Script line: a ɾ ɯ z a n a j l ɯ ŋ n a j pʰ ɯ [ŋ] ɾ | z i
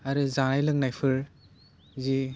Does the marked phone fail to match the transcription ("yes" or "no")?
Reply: yes